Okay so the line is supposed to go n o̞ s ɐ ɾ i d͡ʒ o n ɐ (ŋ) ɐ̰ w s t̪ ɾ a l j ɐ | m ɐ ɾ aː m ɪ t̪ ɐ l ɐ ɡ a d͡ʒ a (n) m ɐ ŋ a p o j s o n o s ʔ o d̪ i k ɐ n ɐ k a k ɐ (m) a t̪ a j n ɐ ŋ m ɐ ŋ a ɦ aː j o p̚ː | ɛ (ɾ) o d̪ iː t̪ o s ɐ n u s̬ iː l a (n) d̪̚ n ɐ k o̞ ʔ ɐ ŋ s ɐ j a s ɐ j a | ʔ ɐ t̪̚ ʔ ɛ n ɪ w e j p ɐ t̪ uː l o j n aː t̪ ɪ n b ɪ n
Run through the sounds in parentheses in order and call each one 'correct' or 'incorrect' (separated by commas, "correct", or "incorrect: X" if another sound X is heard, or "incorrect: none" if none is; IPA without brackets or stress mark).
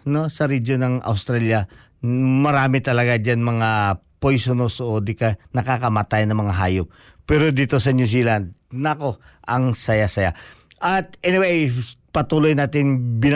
correct, correct, correct, correct, correct